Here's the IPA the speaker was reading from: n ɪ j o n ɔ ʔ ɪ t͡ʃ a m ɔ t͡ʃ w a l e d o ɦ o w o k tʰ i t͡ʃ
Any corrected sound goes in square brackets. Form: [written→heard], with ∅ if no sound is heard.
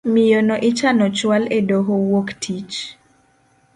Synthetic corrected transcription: [n→m] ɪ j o n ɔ ʔ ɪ t͡ʃ a [m→n] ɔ t͡ʃ w a l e d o ɦ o w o k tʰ i t͡ʃ